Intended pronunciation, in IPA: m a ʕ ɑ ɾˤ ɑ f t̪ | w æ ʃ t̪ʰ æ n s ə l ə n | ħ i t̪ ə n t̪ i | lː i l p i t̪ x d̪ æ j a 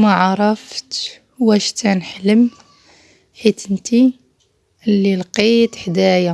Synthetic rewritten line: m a ʕ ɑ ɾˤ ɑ f t̪ | w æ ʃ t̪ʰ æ n ħ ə l ə m | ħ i t̪ ə n t̪ i | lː i l q i t̪ ħ d̪ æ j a

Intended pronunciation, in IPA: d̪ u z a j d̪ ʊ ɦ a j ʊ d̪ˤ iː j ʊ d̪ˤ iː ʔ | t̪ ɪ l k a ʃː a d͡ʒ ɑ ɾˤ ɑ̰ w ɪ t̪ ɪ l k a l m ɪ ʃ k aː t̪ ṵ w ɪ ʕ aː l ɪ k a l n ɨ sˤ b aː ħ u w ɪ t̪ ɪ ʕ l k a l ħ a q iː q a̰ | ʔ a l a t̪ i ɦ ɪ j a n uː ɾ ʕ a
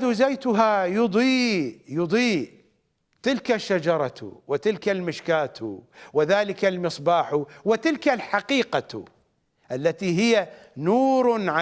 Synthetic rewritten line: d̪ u z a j t̪ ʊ ɦ a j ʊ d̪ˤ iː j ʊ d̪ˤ iː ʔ | t̪ ɪ l k a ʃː a d͡ʒ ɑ ɾˤ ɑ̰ w ɪ t̪ ɪ l k a l m ɪ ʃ k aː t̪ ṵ w ɪ ð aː l ɪ k a l m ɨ sˤ b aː ħ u w ɪ t̪ ɪ l k a l ħ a q iː q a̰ | ʔ a lː a t̪ i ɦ ɪ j a n uː ɾ ʕ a

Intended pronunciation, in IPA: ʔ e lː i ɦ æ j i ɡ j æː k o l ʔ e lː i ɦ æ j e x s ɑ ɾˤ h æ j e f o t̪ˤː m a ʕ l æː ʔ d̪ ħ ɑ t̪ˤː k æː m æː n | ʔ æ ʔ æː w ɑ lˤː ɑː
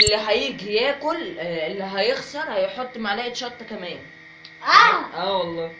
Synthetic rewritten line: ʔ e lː i ɦ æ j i ɡ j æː k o l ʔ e lː i ɦ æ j e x s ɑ ɾˤ h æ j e ħ o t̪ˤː m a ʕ l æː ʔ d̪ ʃ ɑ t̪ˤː k æ m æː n | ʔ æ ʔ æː w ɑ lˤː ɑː

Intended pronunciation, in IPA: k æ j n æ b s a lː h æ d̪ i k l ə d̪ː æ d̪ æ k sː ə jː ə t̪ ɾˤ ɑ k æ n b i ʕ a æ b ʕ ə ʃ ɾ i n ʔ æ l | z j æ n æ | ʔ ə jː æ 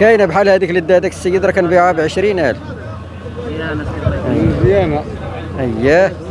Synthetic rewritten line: k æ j n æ b ħ a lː h æ d̪ i k l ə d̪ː æ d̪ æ k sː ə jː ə d̪ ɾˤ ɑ k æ n b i ʕ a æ b ʕ ə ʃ ɾ i n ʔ æ l | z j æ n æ | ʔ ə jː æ

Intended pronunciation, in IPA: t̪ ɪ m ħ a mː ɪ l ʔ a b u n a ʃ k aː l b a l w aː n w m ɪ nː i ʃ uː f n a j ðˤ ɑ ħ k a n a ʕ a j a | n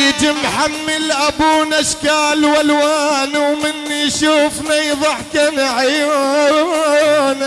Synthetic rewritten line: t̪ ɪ m ħ a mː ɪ l ʔ a b u n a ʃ k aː l w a l w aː n w m ɪ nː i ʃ uː f n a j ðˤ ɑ ħ k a n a ʕ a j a | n

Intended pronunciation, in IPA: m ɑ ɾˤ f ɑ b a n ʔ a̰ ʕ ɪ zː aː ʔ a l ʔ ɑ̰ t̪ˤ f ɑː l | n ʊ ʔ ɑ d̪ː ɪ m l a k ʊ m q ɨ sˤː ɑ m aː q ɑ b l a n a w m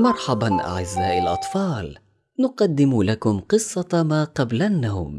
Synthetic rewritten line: m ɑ ɾˤ ħ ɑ b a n ʔ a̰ ʕ ɪ zː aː ʔ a l ʔ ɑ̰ t̪ˤ f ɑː l | n ʊ q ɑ d̪ː ɪ m l a k ʊ m q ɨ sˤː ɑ m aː q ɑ b l a nː a w m

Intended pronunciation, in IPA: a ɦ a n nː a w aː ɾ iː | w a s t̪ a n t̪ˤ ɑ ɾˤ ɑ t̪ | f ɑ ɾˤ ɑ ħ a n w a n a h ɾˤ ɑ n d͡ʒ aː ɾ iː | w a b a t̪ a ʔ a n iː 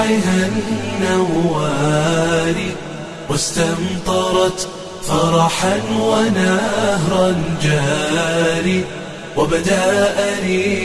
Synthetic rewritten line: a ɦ a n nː a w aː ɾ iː | w a s t̪ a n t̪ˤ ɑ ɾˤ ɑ t̪ | f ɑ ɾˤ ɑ ħ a n w a n a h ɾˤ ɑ n d͡ʒ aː ɾ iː | w a b a d̪ a ʔ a n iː

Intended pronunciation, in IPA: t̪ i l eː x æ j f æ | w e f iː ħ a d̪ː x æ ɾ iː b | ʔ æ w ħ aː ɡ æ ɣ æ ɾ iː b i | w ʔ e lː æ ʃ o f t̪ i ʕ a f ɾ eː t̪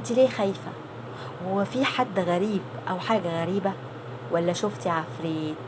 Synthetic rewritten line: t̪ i l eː x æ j f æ | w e f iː ħ a d̪ː ɣ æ ɾ iː b | ʔ æ w ħ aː ɡ æ ɣ æ ɾ iː b æ | w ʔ æ lː æ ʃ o f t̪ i ʕ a f ɾ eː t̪

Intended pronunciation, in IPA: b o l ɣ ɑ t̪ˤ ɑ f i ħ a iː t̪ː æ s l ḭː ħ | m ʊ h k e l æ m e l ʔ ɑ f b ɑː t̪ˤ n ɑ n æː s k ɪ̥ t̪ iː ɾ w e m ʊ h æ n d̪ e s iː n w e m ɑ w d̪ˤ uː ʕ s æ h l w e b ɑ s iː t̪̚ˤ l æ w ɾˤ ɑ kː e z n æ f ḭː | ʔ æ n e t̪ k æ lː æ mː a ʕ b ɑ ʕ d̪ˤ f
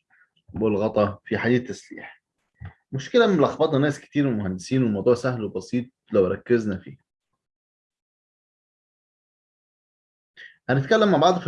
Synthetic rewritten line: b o l ɣ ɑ t̪ˤ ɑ f i ħ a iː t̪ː æ s l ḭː ħ | m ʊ ʃ k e l æ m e l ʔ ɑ x b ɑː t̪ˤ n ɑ n æː s k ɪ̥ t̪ iː ɾ w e m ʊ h æ n d̪ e s iː n w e m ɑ w d̪ˤ uː ʕ s æ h l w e b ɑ s iː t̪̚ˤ l æ w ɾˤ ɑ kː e z n æ f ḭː | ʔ æ n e t̪ k æ lː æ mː a ʕ b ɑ ʕ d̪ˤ f

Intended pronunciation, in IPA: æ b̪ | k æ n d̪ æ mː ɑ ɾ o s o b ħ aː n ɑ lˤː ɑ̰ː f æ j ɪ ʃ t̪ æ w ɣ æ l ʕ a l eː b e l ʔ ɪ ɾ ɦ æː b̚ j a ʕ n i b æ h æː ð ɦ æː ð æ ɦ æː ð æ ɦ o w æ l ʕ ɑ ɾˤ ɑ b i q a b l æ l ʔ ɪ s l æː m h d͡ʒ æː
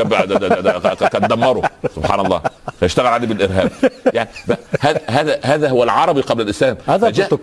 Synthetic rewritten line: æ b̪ | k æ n d̪ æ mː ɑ ɾ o s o b ħ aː n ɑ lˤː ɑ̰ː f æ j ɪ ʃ t̪ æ ɣ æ l ʕ a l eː b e l ʔ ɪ ɾ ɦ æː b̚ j a ʕ n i b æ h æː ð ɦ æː ð æ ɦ æː ð æ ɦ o w æ l ʕ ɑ ɾˤ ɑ b i q ɑ b l æ l ʔ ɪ s l æː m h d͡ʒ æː

